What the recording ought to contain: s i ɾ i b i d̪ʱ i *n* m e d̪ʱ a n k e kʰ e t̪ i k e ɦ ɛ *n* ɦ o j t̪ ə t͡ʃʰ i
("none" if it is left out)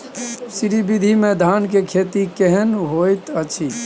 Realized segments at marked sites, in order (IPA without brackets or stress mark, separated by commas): none, n